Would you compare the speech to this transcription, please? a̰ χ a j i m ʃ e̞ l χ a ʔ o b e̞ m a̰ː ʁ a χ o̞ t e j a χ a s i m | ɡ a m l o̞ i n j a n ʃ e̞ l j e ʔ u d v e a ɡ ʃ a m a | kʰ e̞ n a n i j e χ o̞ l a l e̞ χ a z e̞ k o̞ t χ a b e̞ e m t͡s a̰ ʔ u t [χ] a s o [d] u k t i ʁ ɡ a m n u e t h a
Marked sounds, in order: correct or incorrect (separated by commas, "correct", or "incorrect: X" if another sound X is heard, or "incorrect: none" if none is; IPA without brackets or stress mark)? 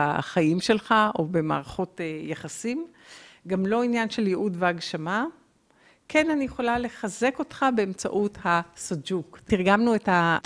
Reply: incorrect: h, incorrect: d͡ʒ